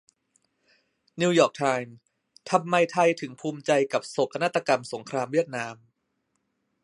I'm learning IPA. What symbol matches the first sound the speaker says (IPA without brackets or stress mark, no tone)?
n